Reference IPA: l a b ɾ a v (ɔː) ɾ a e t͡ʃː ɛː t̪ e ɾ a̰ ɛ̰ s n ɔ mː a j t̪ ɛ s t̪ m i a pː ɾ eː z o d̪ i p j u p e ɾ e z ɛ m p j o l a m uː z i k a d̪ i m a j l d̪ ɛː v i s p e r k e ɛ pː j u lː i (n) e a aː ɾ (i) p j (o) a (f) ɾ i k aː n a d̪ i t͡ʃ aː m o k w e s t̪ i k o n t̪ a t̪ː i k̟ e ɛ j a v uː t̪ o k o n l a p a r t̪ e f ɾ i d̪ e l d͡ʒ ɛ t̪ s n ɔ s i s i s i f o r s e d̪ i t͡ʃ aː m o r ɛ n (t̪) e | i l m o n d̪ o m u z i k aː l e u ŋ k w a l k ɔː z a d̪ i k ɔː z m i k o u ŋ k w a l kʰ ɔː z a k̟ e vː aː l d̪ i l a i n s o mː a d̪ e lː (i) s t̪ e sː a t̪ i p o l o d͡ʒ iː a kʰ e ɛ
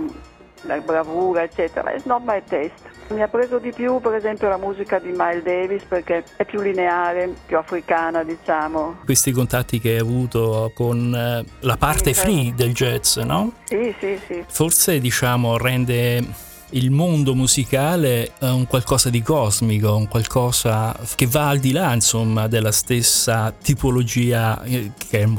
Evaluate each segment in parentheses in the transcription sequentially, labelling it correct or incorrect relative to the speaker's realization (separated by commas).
incorrect, correct, incorrect, incorrect, correct, incorrect, incorrect